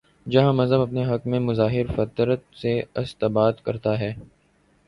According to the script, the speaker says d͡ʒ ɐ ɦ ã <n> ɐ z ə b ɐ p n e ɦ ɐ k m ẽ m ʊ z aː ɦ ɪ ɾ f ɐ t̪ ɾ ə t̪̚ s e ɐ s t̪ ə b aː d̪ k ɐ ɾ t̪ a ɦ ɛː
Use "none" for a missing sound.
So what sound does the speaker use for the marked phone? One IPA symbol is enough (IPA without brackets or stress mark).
m